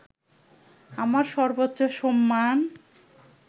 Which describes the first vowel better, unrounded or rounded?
unrounded